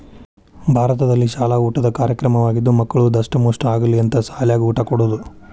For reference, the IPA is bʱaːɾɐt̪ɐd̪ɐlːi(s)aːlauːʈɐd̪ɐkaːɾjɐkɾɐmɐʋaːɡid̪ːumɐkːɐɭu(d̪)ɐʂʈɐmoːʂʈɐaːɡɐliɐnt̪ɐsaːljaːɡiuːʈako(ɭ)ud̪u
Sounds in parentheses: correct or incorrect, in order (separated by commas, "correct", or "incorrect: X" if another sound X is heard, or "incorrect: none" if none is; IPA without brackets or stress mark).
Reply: incorrect: ʃ, correct, incorrect: ɽ